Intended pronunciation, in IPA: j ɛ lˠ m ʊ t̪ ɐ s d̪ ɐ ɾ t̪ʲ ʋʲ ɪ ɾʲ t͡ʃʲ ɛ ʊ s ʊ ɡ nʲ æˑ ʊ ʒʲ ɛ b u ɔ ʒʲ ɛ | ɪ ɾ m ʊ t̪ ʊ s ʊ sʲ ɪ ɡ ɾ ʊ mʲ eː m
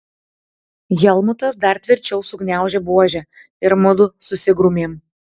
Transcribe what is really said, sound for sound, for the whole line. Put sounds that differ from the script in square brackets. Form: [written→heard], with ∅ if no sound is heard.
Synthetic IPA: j ɛ lˠ m ʊ t̪ ɐ s d̪ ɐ ɾ t̪ʲ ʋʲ ɪ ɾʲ t͡ʃʲ ɛ ʊ s ʊ ɡ nʲ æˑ ʊ ʒʲ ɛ b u ɔ ʒʲ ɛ | ɪ ɾ m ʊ [t̪→d̪] ʊ s ʊ sʲ ɪ ɡ ɾ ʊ mʲ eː m